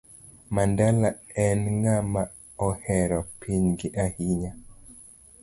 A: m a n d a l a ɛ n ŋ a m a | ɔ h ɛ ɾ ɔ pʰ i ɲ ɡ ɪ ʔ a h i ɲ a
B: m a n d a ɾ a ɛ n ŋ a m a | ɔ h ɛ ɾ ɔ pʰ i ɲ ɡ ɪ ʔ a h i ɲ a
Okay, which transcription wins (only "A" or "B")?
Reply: A